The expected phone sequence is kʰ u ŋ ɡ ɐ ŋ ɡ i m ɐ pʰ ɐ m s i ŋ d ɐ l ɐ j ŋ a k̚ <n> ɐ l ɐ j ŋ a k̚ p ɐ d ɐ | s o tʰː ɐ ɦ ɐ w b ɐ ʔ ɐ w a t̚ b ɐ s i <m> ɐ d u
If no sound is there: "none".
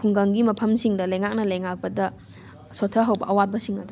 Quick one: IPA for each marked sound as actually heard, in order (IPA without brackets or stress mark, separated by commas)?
n, ŋ